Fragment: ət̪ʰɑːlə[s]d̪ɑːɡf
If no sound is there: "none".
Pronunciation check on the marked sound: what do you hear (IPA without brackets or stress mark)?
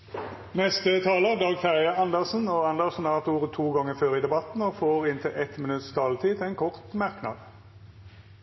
none